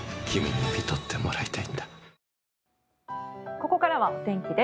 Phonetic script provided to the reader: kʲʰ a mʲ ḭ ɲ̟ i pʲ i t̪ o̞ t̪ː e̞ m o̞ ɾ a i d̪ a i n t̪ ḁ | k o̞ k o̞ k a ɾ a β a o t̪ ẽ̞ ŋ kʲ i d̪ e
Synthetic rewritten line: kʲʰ i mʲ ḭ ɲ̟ i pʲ i t̪ o̞ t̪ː e̞ m o̞ ɾ a i t̪ a i n d̪ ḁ | k o̞ k o̞ k a ɾ a β a o t̪ ẽ̞ ŋ kʲ i d̪ e